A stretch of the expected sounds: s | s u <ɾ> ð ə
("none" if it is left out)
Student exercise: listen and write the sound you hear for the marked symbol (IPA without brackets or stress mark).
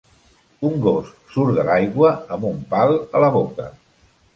ɾ